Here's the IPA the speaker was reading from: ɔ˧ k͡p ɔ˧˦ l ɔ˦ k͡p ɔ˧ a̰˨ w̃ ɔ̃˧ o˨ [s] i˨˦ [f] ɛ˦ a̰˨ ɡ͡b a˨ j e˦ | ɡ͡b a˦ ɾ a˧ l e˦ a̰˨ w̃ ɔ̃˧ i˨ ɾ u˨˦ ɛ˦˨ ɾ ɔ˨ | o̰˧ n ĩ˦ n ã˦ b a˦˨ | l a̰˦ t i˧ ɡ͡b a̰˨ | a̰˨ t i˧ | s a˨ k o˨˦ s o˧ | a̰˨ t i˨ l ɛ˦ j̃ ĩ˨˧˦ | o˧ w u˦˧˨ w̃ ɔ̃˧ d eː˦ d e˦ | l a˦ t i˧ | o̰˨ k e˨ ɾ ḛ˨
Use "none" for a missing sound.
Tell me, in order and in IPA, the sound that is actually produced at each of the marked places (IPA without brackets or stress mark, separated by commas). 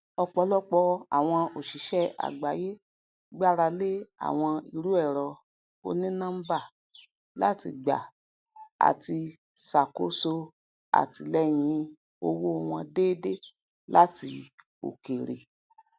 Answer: ʃ, ʃ